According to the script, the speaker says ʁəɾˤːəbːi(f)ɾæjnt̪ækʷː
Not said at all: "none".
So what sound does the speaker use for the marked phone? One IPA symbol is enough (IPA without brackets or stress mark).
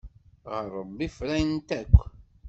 f